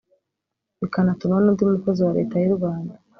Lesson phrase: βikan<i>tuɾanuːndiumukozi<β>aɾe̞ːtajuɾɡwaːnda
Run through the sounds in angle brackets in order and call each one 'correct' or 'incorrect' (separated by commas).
incorrect, incorrect